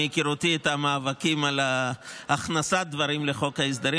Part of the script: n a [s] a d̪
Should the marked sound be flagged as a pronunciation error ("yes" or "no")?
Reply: no